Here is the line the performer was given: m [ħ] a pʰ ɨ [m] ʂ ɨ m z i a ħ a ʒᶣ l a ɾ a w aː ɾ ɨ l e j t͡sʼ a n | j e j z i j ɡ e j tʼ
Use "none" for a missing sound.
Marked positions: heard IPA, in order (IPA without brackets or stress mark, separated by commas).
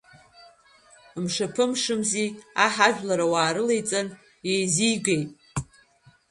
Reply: ʂ, m